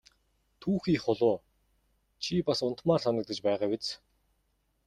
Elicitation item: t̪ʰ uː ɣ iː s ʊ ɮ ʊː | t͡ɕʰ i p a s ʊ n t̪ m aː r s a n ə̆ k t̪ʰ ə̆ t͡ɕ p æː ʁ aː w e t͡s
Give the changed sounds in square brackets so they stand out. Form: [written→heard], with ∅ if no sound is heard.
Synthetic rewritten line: t̪ʰ uː [ɣ→x] iː [s→χ] ʊ ɮ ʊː | t͡ɕʰ i p a s ʊ n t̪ m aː r s a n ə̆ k [t̪ʰ→t̪] ə̆ t͡ɕ p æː ʁ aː w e t͡s